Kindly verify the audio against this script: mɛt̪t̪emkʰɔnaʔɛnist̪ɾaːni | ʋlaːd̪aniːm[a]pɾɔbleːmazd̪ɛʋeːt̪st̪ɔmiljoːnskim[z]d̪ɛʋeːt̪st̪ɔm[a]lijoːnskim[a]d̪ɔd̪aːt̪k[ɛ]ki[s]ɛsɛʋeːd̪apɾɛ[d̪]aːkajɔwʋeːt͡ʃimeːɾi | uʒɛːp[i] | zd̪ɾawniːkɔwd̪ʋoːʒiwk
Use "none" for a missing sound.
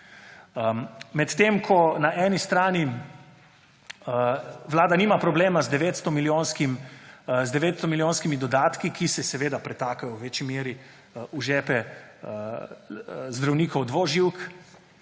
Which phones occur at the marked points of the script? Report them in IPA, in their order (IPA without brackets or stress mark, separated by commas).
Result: a, z, i, i, i, s, t̪, ɛ